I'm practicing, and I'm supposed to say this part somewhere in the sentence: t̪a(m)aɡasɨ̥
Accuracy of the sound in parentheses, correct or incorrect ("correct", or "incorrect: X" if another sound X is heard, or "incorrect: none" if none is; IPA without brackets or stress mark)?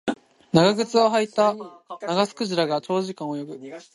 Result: incorrect: n